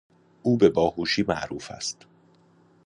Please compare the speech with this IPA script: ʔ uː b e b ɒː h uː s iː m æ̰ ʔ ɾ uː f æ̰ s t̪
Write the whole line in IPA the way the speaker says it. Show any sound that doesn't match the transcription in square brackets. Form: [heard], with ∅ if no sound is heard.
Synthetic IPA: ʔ uː b e b ɒː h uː [ʃ] iː m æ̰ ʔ ɾ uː f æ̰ s t̪